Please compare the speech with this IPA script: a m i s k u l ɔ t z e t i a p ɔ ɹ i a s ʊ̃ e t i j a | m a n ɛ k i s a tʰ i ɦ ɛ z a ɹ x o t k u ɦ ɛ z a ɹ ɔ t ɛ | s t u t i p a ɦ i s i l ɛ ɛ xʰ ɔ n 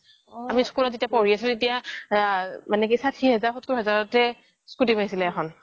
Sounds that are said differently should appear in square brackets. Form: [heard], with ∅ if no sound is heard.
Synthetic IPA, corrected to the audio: a m i s k u l ɔ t z e t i a p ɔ ɹ i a s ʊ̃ e t i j a | m a n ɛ k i s a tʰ i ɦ ɛ z a ɹ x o t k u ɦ ɛ z a ɹ ɔ t ɛ | s [k] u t i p a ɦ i s i l ɛ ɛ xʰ ɔ n

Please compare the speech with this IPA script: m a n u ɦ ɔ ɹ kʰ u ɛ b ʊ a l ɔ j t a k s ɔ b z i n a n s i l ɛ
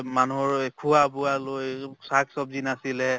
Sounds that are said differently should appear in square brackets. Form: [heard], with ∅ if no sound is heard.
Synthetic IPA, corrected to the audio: m a n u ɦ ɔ ɹ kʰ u [a] b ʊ a l [o] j [s] a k s ɔ b z i n a [∅] s i l ɛ

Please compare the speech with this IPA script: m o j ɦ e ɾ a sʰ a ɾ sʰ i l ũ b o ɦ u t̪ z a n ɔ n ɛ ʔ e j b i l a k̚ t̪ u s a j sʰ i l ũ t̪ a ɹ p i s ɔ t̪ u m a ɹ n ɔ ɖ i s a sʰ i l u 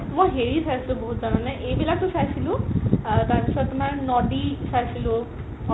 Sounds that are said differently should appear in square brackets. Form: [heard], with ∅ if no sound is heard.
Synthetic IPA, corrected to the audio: m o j ɦ e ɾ [i] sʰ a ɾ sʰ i l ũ b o ɦ u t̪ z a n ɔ n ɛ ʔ e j b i l a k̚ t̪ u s a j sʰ i l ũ t̪ a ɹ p i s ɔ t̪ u m a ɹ n ɔ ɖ i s a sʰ i l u

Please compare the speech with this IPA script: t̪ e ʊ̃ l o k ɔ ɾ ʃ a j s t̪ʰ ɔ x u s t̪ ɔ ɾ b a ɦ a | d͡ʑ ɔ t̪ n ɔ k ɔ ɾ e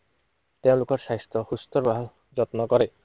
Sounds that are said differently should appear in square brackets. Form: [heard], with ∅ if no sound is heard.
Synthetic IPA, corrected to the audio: t̪ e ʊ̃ l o k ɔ ɾ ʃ a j s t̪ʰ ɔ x u s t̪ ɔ ɾ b a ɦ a | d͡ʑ ɔ t̪ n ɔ k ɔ ɾ e

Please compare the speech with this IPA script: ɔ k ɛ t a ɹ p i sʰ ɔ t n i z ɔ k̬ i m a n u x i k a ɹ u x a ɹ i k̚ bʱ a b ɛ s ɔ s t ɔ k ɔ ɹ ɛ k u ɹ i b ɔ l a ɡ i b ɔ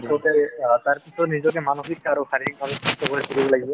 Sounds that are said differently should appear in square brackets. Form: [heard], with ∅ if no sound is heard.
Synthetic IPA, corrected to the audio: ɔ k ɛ t a ɹ p i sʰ ɔ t n i z ɔ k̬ [ɛ] m a n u x i k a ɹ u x a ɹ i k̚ bʱ a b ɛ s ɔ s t ɔ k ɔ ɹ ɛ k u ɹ i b ɔ l a ɡ i b ɔ

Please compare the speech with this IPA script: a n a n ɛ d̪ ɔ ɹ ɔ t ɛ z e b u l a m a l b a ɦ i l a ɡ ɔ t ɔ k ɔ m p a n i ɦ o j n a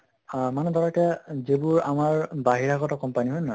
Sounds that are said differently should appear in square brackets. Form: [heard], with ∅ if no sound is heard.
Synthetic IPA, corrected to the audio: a [m] a n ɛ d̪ ɔ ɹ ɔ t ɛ z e b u [ɹ] a m a [ɹ] b a ɦ i [ɹ] a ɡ ɔ t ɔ k ɔ m p a n i ɦ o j n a

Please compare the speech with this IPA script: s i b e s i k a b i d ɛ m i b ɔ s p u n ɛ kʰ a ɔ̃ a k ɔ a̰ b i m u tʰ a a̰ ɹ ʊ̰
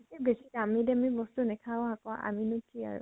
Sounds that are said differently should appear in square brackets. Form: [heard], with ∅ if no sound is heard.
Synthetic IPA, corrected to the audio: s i b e s i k a [m] i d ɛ m i b ɔ s [t] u n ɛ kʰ a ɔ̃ a k ɔ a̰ [m] i [n] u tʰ [i] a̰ ɹ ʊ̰

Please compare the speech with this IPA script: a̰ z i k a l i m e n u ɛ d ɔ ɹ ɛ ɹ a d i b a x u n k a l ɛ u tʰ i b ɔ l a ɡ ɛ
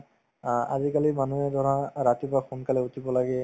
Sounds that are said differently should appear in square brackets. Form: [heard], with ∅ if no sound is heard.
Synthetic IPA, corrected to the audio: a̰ z i k a l i m [a] n u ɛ d ɔ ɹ [a] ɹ a [t] i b a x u n k a l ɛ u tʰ i b ɔ l a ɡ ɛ

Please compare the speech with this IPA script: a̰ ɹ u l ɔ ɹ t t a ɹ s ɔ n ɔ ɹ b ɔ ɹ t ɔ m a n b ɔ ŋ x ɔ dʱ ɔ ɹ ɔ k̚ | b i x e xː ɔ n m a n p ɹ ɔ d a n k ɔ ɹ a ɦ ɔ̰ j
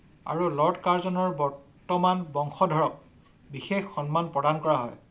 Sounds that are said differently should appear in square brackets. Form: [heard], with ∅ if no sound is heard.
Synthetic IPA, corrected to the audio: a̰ ɹ u l ɔ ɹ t [k] a ɹ [z] ɔ n ɔ ɹ b ɔ ɹ t ɔ m a n b ɔ ŋ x ɔ dʱ ɔ ɹ ɔ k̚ | b i x e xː ɔ n m a n p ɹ ɔ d a n k ɔ ɹ a ɦ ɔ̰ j

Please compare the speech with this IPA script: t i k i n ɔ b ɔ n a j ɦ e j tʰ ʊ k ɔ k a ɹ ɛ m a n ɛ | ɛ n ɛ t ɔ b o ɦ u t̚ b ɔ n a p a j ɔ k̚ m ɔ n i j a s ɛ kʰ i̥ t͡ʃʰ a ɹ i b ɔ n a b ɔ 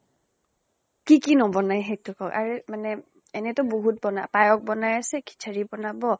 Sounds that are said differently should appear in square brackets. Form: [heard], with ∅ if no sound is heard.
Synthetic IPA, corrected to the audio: [k] i k i n ɔ b ɔ n a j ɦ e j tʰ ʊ k ɔ k a ɹ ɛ m a n ɛ | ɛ n ɛ t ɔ b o ɦ u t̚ b ɔ n a p a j ɔ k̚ [b] ɔ n [a] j a s ɛ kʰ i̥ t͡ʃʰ a ɹ i b ɔ n a b ɔ

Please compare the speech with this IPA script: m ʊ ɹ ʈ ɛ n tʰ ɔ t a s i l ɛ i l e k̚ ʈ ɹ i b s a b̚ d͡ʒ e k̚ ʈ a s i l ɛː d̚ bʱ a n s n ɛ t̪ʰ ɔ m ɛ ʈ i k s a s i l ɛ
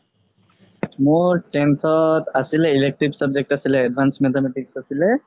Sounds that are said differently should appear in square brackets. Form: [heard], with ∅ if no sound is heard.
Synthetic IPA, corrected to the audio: m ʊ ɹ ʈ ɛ n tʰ ɔ t a s i l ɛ i l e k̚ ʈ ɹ i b s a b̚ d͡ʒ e k̚ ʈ a s i l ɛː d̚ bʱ a n s [m] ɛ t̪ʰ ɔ m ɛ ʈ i k s a s i l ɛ

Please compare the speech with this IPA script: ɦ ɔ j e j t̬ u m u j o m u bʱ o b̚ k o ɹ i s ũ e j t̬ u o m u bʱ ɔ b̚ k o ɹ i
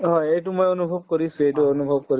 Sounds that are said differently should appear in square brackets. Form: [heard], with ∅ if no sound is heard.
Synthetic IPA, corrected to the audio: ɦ ɔ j e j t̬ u m [o] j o [n] u bʱ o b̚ k o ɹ i s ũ e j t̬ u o [n] u bʱ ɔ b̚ k o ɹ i

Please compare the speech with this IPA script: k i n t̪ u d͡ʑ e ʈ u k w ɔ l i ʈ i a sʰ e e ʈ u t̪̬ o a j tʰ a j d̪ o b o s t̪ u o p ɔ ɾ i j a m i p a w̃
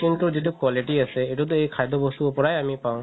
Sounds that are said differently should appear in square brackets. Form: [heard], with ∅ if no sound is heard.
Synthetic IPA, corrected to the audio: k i n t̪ u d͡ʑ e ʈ u k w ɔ l i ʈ i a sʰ e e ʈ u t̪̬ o [e] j [kʰ] a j d̪ o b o s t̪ u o p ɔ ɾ [a] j a m i p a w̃

